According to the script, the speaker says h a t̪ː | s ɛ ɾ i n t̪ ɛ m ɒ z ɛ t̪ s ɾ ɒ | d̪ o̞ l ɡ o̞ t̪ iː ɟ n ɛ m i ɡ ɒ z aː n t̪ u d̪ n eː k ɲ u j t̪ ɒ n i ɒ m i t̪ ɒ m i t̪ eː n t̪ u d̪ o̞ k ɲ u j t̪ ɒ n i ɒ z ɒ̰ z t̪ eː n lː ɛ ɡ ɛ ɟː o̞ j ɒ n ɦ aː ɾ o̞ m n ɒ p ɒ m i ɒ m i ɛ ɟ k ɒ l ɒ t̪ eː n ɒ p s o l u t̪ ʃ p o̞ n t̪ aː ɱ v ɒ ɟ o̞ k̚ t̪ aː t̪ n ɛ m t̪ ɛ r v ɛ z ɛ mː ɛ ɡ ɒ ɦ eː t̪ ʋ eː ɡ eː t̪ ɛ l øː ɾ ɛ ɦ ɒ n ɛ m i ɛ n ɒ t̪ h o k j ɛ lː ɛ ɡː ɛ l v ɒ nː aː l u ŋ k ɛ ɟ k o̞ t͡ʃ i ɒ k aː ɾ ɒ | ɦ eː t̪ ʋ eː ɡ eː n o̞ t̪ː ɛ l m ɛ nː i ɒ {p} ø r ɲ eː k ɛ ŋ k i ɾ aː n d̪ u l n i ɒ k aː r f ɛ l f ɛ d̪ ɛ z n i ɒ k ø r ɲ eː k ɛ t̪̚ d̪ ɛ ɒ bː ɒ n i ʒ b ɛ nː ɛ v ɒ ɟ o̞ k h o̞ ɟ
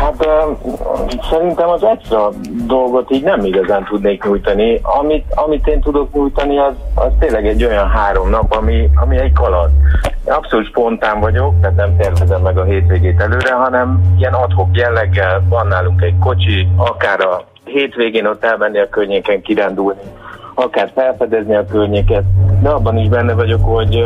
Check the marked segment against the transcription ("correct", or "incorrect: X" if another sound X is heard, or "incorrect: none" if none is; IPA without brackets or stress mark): incorrect: k